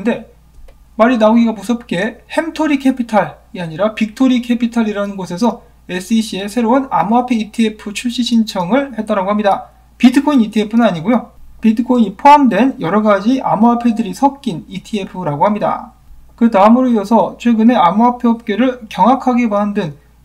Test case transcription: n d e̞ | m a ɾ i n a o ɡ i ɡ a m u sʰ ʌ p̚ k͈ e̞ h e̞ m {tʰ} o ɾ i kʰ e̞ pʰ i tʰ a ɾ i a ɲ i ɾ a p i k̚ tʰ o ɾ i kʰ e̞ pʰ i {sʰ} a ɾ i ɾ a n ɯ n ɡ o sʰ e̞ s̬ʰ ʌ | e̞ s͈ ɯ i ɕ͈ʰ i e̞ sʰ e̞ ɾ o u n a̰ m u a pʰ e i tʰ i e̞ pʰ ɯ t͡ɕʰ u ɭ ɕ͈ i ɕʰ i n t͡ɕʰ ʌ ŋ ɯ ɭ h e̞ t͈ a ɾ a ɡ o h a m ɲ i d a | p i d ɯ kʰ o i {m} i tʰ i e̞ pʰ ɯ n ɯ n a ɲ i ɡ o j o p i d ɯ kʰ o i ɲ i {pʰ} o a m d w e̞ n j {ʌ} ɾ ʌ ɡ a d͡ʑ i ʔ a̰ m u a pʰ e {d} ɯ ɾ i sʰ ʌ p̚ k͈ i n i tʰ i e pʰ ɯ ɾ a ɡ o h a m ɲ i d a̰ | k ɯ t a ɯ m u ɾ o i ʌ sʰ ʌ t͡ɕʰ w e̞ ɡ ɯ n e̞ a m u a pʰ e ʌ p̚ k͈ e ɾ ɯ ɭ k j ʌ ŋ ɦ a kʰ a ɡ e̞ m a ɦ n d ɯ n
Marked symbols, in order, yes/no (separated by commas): yes, no, no, yes, yes, yes